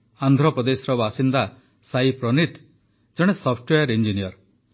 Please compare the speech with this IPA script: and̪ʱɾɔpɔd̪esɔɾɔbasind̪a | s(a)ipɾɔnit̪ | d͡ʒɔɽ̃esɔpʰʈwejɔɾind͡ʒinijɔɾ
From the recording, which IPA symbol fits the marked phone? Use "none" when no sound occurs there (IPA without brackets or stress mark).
a